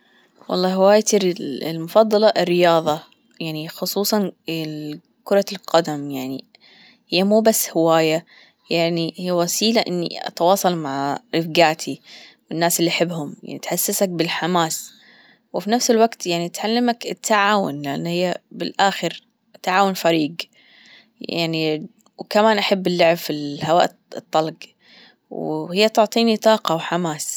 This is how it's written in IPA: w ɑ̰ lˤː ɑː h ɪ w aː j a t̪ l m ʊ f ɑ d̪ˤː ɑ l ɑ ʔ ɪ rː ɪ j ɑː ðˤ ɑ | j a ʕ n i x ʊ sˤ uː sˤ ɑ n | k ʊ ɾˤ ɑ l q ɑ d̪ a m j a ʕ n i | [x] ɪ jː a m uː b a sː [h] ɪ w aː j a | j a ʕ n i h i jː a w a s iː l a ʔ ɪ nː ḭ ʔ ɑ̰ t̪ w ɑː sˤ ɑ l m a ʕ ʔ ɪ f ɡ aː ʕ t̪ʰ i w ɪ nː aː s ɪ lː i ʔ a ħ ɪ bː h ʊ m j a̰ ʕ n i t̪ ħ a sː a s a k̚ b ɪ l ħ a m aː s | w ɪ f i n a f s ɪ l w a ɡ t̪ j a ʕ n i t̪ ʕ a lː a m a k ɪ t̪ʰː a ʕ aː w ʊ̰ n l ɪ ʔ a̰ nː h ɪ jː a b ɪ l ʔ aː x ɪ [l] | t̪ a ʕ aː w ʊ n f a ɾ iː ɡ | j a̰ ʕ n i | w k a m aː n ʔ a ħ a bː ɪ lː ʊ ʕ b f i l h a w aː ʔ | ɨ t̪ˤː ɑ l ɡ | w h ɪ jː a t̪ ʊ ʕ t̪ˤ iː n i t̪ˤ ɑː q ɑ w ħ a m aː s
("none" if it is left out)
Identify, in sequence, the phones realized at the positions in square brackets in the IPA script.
h, h, ɾ

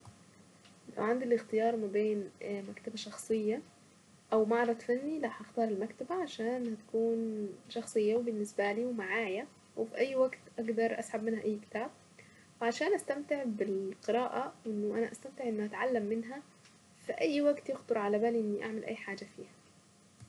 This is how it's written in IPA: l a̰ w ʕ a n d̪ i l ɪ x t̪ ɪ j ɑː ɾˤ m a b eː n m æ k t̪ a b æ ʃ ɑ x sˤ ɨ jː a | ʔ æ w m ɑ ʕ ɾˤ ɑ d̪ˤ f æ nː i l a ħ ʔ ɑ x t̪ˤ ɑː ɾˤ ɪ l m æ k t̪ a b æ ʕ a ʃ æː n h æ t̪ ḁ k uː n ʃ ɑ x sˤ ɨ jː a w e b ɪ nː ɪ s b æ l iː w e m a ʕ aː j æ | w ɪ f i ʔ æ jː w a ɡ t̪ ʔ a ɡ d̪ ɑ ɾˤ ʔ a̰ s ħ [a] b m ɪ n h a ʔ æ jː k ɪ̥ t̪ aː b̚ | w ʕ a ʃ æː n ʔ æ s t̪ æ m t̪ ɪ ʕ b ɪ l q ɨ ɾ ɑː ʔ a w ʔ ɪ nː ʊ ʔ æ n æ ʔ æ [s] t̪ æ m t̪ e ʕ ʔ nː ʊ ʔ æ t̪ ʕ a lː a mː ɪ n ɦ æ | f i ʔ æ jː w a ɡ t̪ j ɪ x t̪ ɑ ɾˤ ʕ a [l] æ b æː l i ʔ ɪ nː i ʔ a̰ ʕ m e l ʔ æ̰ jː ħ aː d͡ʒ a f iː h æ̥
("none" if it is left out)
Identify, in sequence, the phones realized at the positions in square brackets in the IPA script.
a, s, l

